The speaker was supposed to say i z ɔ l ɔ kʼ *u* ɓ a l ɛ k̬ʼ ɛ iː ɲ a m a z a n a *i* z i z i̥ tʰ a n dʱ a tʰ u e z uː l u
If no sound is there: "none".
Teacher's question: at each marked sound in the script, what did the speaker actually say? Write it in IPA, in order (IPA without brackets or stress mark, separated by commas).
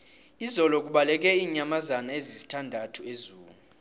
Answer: u, e